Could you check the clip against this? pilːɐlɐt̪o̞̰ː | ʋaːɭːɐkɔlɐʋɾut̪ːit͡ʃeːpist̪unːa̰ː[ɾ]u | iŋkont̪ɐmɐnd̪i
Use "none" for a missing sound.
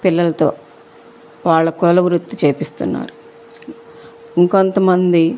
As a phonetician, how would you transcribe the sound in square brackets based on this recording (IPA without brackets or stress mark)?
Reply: ɾ